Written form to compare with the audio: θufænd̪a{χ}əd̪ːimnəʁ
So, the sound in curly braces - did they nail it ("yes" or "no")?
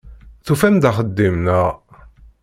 yes